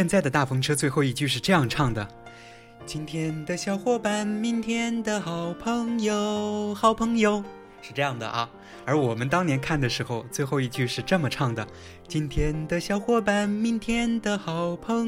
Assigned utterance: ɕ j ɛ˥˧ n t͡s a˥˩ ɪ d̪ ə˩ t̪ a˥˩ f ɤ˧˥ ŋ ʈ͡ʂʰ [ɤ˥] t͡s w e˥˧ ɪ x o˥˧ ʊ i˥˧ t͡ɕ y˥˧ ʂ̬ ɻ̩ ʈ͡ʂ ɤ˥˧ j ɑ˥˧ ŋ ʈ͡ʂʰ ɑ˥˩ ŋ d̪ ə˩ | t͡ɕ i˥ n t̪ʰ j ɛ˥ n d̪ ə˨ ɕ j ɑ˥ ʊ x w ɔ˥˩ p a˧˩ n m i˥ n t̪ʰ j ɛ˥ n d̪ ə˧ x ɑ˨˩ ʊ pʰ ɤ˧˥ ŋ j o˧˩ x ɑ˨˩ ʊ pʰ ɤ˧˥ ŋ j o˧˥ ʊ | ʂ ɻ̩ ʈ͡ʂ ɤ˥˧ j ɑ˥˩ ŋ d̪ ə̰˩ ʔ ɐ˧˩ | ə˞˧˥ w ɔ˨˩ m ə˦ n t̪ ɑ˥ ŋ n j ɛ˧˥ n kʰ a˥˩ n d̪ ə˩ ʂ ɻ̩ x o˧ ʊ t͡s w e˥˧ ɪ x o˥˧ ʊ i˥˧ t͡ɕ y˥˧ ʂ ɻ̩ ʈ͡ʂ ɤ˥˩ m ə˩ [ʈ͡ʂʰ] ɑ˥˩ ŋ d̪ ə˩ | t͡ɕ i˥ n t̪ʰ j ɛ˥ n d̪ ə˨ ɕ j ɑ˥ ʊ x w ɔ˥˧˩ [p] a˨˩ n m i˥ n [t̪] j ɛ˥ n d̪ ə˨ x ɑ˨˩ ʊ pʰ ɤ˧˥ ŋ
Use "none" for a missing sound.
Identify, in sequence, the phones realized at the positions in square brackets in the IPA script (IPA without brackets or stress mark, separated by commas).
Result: ɤ˥, ʈ͡ʂʰ, p, t̪ʰ